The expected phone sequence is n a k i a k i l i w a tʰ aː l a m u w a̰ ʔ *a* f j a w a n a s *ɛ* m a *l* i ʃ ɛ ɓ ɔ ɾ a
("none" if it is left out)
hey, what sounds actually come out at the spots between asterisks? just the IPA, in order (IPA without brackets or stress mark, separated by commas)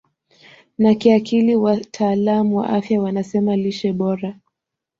a, ɛ, l